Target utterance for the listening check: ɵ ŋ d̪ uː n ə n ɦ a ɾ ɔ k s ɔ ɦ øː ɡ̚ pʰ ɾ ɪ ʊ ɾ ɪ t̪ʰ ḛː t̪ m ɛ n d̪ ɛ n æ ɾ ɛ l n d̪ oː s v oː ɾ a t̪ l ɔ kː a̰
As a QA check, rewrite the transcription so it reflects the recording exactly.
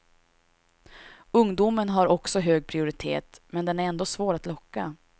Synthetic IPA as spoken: ɵ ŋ d̪ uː m ə n ɦ a ɾ ɔ k s ɔ ɦ øː ɡ̚ pʰ ɾ ɪ ʊ ɾ ɪ t̪ʰ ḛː t̪ m ɛ n d̪ ɛ n æ ɾ ɛ n d̪ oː s v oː ɾ a t̪ l ɔ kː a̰

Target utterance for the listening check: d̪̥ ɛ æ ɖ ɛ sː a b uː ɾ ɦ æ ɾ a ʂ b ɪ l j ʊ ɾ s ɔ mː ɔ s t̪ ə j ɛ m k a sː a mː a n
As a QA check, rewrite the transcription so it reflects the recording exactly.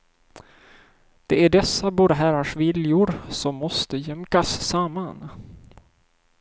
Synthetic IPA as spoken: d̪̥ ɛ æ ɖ ɛ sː a b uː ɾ ɦ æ ɾ a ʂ v ɪ l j ʊ ɾ s ɔ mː ɔ s t̪ ə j ɛ m k a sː a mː a n

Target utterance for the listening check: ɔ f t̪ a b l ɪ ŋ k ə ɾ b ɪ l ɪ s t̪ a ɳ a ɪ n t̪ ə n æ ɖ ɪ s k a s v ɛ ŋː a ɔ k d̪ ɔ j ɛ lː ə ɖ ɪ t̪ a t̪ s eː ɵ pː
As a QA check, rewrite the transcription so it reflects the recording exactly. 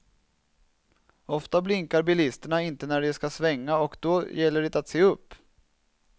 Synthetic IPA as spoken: ɔ f t̪ a b l ɪ ŋ k a ɾ b ɪ l ɪ s t̪ ə ɳ a ɪ n t̪ ə n æ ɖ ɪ s k a s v ɛ ŋː a ɔ k d̪ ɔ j ɛ lː ə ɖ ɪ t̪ a t̪ s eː ɵ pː

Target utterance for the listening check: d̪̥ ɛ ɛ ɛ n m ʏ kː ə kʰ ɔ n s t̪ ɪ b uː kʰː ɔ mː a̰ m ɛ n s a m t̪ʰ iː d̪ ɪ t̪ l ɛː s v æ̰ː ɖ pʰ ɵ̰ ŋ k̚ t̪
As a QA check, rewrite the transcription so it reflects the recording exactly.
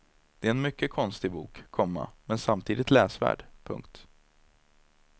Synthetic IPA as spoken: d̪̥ ɛ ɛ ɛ n m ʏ kː ə kʰ ɔ n s t̪ ɪ b uː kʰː ɔ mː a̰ m ɛ n s a m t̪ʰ iː d̪ ɪ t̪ l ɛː s v æ̰ː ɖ pʰ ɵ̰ ŋ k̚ t̪

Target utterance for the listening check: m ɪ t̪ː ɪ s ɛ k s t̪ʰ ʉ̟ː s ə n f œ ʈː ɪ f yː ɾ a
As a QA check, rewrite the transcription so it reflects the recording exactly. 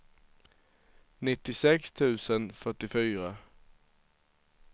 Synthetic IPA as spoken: n ɪ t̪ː ɪ s ɛ k s t̪ʰ ʉ̟ː s ə n f œ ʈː ɪ f yː ɾ a

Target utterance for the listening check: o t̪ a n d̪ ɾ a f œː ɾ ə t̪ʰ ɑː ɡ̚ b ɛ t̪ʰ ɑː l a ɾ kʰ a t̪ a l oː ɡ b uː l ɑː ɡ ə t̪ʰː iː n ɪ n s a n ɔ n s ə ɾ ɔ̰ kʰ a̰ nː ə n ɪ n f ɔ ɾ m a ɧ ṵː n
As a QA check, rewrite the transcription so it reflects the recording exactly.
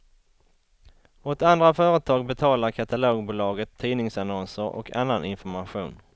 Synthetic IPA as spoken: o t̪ a n d̪ ɾ a f œː ɾ ə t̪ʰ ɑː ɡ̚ b ɛ t̪ʰ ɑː l a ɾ kʰ a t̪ a l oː ɡ b uː l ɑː ɡ ə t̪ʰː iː n ɪ ŋ s a n ɔ n s ə ɾ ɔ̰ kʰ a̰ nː a n ɪ n f ɔ ɾ m a ɧ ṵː n

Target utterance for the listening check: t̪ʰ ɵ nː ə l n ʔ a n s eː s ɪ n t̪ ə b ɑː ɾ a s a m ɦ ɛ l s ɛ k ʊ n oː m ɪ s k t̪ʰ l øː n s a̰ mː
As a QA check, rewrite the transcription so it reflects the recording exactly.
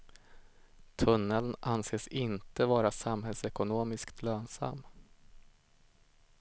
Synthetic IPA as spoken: t̪ʰ ɵ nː ə l n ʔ a n s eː s ɪ n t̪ ə v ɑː ɾ a s a m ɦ ɛ l s ɛ k ʊ n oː m ɪ s k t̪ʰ l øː n s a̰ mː

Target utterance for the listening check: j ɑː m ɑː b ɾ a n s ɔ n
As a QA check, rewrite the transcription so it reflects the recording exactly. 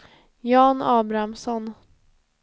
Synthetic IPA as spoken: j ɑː n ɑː b ɾ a m s ɔ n

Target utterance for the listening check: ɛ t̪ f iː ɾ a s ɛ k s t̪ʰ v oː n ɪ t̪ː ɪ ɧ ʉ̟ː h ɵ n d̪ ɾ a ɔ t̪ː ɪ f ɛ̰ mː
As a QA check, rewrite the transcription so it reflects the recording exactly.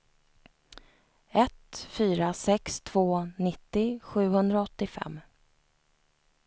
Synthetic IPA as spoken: ɛ t̪ f yː ɾ a s ɛ k s t̪ʰ v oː n ɪ t̪ː ɪ ɧ ʉ̟ː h ɵ n d̪ ɾ a ɔ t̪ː ɪ f ɛ̰ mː

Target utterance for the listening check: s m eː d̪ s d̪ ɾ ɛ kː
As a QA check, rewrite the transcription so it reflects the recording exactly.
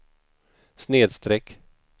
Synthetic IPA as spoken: s n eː d̪ s t̪ ɾ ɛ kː

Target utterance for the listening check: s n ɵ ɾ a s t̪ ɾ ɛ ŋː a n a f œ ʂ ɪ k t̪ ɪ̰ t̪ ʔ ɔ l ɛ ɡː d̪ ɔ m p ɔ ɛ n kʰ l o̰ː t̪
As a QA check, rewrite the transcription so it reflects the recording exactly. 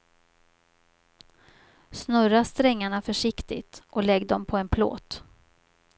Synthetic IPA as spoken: s n ɵ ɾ a s t̪ ɾ ɛ ŋː a ɳ a f œ ʂ ɪ k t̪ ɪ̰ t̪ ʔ ɔ l ɛ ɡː d̪ ɔ m pʰ ɔ ɛ n pʰ l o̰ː t̪

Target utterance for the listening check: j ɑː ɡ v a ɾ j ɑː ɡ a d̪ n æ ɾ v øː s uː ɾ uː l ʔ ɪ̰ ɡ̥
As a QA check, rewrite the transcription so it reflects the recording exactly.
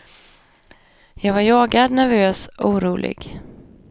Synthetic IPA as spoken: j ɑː ɡ v a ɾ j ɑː ɡ a d̪ n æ ɾ v øː s uː ɾ uː l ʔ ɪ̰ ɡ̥

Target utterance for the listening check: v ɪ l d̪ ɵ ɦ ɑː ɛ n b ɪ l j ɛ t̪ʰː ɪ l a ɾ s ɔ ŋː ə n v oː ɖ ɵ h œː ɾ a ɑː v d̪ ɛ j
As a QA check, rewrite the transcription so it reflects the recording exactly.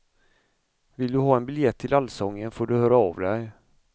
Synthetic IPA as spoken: v ɪ l d̪ ɵ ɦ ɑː ɛ n b ɪ l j ɛ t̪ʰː ɪ l a l s ɔ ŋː ə n f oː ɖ ɵ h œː ɾ a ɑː v d̪ ɛ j

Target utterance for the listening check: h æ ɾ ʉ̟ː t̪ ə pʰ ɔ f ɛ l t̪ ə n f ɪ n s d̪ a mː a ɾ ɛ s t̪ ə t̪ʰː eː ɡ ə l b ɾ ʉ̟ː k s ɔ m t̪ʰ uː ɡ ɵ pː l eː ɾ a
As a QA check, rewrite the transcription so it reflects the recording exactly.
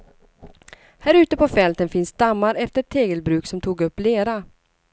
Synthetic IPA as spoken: h æ ɾ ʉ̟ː t̪ ə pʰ ɔ f ɛ l t̪ ə n f ɪ n s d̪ a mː a ɾ ɛ f t̪ ə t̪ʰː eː ɡ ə l b ɾ ʉ̟ː k s ɔ m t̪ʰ uː ɡ ɵ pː l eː ɾ a

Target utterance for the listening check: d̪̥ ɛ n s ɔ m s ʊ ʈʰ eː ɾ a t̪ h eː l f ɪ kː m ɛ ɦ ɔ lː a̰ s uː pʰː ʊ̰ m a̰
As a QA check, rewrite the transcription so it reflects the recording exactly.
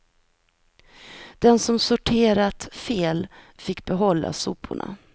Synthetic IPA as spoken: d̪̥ ɛ n s ɔ m s ʊ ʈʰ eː ɾ a t̪ f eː l f ɪ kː b ɛ ɦ ɔ lː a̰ s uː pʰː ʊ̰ ɳ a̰

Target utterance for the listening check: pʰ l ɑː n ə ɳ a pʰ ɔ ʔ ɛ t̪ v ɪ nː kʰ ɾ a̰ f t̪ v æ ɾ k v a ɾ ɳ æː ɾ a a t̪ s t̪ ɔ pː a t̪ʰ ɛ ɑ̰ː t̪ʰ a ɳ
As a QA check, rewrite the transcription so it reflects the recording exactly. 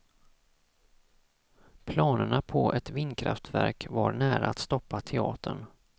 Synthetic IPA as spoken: pʰ l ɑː n ə ɳ a pʰ ɔ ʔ ɛ t̪ v ɪ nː kʰ ɾ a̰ f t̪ v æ ɾ k v a ɾ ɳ æː ɾ a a t̪ s t̪ ɔ pː a t̪ʰ ɛ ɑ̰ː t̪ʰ ə ɳ

